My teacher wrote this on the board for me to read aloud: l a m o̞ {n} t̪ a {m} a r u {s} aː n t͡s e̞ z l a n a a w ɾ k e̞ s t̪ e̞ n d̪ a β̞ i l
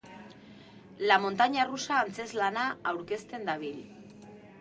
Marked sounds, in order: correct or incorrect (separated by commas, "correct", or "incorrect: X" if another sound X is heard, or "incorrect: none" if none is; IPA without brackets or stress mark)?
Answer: correct, incorrect: ɲ, correct